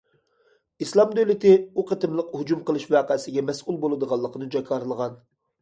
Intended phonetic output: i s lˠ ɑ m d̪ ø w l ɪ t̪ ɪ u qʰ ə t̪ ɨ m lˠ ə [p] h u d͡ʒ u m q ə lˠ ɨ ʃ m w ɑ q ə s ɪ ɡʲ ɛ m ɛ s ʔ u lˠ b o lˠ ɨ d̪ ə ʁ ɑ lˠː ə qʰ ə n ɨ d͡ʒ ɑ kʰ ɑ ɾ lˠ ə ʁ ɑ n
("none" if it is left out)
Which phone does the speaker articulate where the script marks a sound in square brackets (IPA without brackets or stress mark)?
q